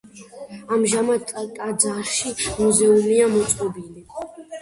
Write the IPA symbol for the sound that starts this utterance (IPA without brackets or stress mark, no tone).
a